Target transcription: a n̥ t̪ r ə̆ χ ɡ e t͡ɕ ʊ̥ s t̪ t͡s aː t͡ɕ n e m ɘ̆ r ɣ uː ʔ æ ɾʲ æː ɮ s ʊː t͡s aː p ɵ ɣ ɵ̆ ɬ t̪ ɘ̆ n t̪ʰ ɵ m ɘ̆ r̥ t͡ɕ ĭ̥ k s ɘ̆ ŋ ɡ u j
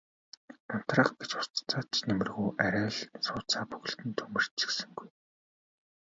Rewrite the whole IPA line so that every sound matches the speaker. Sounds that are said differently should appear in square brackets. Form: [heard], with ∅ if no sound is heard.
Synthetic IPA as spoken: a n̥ t̪ r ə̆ χ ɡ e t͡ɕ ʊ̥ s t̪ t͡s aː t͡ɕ n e m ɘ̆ r ɣ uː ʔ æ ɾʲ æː ɮ s ʊː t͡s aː p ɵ ɣ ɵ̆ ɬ t̪ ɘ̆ n t̪ʰ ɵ m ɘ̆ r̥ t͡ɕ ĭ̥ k s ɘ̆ ŋ ɡ u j